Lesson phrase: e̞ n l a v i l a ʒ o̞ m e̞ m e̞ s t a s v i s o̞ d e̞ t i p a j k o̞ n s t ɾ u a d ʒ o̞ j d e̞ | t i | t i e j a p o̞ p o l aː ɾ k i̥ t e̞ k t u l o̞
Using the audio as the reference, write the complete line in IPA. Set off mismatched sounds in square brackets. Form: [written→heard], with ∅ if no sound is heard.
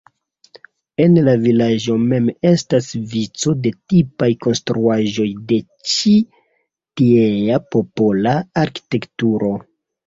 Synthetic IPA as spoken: e̞ n l a v i l a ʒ o̞ m e̞ m e̞ s t a s v i [s→t͡s] o̞ d e̞ t i p a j k o̞ n s t ɾ u a [d→∅] ʒ o̞ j d e̞ | [t→t͡ʃ] i | t i e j a p o̞ p o l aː ɾ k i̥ t e̞ k t u [l→ɾ] o̞